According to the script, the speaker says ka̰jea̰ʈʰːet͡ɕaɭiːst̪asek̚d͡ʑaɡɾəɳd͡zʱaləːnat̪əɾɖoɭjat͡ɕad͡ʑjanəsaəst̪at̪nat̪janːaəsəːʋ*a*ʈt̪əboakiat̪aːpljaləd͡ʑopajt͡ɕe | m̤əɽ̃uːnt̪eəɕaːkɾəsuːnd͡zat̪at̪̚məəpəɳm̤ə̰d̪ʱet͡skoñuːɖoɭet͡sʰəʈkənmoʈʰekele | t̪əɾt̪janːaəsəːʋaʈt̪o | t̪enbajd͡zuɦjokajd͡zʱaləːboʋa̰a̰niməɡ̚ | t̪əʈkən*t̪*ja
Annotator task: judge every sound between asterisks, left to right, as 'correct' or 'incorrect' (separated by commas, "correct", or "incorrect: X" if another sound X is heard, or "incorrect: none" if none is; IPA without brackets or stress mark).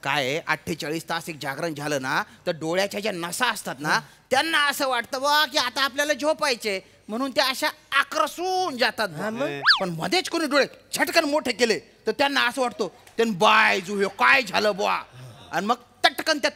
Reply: correct, correct